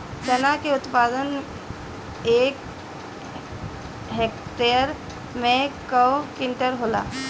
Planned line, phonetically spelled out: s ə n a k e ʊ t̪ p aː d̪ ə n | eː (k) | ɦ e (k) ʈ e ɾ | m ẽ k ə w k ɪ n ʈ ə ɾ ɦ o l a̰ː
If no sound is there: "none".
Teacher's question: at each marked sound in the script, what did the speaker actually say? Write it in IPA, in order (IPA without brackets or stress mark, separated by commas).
k, k